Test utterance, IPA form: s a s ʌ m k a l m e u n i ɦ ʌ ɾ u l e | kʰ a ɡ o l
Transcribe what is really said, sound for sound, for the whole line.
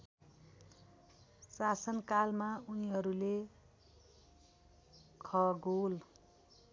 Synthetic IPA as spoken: s a s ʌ n k a l m a u n i ɦ ʌ ɾ u l e | kʰ ʌ ɡ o l